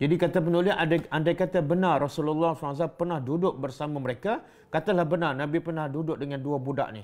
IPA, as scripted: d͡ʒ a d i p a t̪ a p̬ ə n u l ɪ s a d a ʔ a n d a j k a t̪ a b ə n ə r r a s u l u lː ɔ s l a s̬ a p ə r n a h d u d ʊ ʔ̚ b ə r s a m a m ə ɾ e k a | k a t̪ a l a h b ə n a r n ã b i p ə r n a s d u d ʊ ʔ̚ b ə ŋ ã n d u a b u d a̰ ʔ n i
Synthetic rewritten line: d͡ʒ a d i k a t̪ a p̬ ə n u l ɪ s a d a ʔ a n d a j k a t̪ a b ə n a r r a s u l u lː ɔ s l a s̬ a p ə r n a h d u d ʊ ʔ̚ b ə r s a m a m ə ɾ e k a | k a t̪ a l a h b ə n a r n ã b i p ə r n a h d u d ʊ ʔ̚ d ə ŋ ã n d u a b u d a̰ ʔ n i